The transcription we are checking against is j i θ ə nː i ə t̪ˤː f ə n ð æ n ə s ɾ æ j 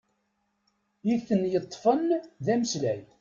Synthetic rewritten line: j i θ ə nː j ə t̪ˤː f ə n ð æ m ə s l æ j